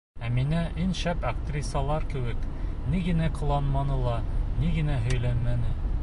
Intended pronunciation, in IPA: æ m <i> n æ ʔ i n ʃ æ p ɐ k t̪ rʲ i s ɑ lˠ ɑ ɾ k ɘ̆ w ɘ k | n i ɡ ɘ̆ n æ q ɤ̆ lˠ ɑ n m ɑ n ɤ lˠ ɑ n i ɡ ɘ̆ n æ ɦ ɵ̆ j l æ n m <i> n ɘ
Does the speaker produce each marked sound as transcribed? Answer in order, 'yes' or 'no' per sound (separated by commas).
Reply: yes, no